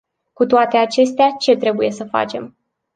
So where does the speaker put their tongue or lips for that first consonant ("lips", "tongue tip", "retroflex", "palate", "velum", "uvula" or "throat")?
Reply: velum